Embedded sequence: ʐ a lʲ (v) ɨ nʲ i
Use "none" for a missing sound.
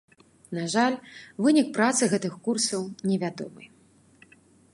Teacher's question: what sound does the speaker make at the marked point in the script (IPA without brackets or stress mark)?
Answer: v